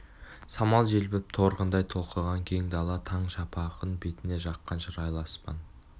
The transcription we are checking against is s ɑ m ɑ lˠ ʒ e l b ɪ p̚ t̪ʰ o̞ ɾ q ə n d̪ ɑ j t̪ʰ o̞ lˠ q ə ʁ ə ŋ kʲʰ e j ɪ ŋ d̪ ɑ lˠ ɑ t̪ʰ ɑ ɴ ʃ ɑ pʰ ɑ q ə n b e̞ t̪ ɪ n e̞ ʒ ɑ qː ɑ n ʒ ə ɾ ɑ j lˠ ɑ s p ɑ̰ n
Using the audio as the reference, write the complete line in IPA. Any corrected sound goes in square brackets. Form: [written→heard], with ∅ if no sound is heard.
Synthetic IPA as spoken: s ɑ m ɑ lˠ ʒ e l b ɪ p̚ t̪ʰ o̞ ɾ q ə n d̪ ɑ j t̪ʰ o̞ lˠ q ə ʁ [ə→ɑ] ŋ kʲʰ e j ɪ ŋ d̪ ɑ lˠ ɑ t̪ʰ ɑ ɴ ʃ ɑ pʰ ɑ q ə n b e̞ t̪ ɪ n e̞ ʒ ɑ qː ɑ n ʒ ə ɾ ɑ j lˠ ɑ s p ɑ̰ n

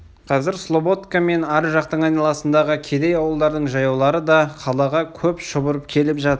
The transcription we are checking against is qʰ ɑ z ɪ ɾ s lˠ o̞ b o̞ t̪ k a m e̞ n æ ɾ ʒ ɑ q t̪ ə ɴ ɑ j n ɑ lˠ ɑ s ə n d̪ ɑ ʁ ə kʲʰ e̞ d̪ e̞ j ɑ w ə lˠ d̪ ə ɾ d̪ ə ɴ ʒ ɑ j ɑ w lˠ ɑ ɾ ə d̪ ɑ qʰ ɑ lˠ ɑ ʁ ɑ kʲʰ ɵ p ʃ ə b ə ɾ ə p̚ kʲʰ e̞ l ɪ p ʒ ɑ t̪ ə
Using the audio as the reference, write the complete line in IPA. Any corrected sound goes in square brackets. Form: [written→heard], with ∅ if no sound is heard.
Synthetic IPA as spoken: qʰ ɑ z ɪ ɾ s lˠ o̞ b o̞ t̪ k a m e̞ n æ ɾ ʒ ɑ q t̪ ə ɴ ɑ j n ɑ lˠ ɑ s ə n d̪ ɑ ʁ ə kʲʰ e̞ d̪ e̞ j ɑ w ə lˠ d̪ [ə→ɑ] ɾ d̪ ə ɴ ʒ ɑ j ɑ w lˠ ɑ ɾ ə d̪ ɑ qʰ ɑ lˠ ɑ ʁ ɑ kʲʰ ɵ p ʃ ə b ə ɾ ə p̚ kʲʰ e̞ l ɪ p ʒ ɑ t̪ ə

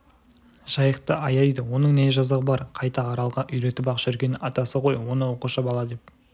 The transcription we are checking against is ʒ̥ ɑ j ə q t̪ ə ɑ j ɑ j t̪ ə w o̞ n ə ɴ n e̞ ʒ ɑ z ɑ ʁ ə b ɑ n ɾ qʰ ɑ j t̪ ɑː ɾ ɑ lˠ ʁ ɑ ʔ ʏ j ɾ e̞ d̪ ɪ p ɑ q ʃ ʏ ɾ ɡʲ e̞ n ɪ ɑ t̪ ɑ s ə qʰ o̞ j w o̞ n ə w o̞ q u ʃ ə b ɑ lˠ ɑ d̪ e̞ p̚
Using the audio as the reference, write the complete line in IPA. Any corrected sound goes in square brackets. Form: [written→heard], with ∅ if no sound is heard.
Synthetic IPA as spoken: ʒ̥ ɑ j ə q t̪ ə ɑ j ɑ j [t̪→d̪] ə w o̞ n ə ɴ n e̞ ʒ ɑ z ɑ ʁ ə b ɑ [n→∅] ɾ qʰ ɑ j t̪ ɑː ɾ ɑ lˠ ʁ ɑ ʔ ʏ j ɾ e̞ [d̪→t̪] ɪ p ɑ q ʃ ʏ ɾ ɡʲ e̞ n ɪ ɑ t̪ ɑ s ə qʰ o̞ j w o̞ n ə w o̞ q u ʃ [ə→ɑ] b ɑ lˠ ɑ d̪ e̞ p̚

